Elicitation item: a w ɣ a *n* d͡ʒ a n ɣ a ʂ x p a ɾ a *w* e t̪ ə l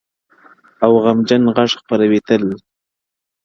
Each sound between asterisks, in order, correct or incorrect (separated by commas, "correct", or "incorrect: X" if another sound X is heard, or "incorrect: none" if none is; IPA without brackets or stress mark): incorrect: m, correct